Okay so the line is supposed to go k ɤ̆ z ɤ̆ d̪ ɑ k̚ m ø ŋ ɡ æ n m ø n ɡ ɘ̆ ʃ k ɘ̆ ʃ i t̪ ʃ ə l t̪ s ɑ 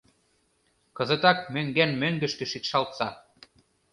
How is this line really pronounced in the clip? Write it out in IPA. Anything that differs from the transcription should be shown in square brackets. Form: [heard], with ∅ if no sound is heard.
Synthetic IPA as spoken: k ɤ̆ z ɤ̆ [t̪] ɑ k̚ m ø ŋ ɡ æ n m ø [ŋ] ɡ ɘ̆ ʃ k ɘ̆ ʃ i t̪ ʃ [ɑ] l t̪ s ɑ